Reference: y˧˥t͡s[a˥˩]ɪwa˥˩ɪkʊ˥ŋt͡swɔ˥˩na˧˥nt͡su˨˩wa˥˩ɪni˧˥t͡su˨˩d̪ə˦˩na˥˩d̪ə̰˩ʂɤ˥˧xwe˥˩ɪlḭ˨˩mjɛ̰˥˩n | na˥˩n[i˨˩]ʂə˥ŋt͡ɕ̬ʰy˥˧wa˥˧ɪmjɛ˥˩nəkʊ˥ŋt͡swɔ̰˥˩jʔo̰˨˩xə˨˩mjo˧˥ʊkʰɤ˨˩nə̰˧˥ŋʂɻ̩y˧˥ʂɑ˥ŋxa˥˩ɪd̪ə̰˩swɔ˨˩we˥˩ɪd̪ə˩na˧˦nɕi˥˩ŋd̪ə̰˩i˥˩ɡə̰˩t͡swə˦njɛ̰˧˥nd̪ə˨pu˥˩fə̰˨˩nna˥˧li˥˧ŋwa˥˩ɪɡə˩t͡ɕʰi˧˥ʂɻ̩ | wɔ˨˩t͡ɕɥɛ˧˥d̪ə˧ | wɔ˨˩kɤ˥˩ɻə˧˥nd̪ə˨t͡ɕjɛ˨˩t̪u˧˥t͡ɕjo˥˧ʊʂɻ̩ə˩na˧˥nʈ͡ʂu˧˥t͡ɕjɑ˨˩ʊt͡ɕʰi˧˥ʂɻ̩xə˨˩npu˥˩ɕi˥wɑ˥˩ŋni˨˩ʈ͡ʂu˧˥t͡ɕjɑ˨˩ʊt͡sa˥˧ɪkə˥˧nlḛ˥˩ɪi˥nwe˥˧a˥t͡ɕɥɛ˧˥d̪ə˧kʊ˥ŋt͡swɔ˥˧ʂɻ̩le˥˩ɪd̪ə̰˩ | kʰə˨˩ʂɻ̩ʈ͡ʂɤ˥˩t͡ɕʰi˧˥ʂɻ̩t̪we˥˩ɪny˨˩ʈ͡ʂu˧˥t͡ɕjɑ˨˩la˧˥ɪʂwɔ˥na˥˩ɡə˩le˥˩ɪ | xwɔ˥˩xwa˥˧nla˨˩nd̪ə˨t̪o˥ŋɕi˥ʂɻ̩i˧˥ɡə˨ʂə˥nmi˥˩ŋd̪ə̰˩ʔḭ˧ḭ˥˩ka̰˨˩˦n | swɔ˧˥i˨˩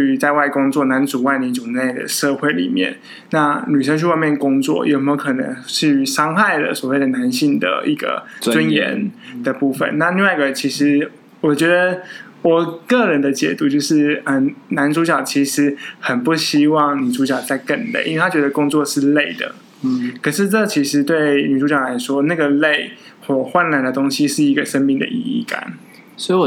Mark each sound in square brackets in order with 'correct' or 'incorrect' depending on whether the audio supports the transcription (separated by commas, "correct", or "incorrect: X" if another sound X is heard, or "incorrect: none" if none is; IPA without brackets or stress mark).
incorrect: a˥˧, incorrect: y˨˩